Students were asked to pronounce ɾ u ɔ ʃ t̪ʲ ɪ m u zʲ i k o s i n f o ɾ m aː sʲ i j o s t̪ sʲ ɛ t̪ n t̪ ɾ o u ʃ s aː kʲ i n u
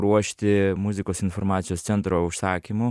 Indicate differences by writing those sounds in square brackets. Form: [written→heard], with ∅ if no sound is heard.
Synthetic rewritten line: ɾ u ɔ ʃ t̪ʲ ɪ m u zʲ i k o s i n f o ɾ m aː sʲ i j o s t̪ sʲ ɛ [t̪→∅] n t̪ ɾ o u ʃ s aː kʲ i [n→m] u